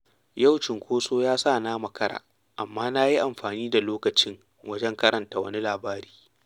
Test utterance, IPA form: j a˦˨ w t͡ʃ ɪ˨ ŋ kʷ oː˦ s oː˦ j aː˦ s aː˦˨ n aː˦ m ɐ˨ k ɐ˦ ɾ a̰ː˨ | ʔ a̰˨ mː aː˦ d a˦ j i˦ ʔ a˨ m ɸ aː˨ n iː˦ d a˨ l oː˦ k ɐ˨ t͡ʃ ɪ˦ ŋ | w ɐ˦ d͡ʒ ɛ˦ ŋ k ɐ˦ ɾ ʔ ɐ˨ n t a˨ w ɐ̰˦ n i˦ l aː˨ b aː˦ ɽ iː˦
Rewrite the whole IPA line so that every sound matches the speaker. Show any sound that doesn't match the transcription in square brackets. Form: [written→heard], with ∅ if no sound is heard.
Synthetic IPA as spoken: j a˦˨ w t͡ʃ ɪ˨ ŋ kʷ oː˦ s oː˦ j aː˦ s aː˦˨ n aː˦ m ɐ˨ k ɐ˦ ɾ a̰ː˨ | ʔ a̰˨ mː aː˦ [d→n] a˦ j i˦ ʔ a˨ m ɸ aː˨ n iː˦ d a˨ l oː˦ k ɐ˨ t͡ʃ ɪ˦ ŋ | w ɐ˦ d͡ʒ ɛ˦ ŋ k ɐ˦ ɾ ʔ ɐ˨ n t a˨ w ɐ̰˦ n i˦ l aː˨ b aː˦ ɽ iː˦